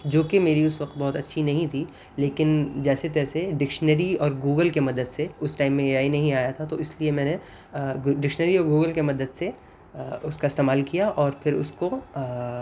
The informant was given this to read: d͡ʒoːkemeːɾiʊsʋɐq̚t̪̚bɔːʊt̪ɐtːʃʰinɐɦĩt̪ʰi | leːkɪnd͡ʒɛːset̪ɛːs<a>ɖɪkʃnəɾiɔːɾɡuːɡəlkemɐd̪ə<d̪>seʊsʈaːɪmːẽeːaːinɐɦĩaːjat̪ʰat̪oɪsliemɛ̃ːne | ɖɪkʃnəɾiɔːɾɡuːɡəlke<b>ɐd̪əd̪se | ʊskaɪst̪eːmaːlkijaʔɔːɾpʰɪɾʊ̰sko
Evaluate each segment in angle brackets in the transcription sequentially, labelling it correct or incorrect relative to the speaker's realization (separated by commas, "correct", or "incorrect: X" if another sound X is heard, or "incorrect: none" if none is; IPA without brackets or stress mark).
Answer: incorrect: e, correct, incorrect: m